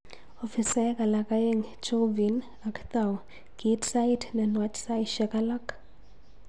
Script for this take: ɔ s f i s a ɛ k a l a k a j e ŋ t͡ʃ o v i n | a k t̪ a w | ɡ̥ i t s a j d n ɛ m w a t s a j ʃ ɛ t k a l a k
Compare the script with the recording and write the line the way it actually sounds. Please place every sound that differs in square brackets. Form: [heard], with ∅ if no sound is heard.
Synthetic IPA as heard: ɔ [∅] f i s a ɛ k a l a k a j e ŋ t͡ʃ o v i n | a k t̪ a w | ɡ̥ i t s a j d n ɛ [n] w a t s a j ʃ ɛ [∅] k a l a k